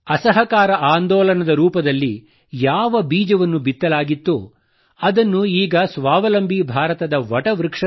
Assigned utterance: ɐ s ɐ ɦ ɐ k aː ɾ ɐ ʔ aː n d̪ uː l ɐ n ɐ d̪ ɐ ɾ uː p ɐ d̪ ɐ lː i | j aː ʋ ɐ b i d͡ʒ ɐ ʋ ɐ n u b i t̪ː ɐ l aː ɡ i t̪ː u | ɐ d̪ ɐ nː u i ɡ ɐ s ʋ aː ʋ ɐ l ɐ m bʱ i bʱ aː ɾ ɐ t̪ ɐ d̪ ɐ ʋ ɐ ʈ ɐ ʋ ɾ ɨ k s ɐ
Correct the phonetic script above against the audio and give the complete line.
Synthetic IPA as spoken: ɐ s ɐ ɦ ɐ k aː ɾ ɐ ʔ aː n d̪ ɔː l ɐ n ɐ d̪ ɐ ɾ uː p ɐ d̪ ɐ lː i | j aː ʋ ɐ b iː d͡ʒ ɐ ʋ ɐ nː u b i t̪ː ɐ l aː ɡ i t̪ː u | ɐ d̪ ɐ nː u iː ɡ ɐ s ʋ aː ʋ ɐ l ɐ m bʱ i bʱ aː ɾ ɐ t̪ ɐ d̪ ɐ ʋ ɐ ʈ ɐ ʋ ɾ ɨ k ʂ ɐ